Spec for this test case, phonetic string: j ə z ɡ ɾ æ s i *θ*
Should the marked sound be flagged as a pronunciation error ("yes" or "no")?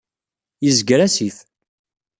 no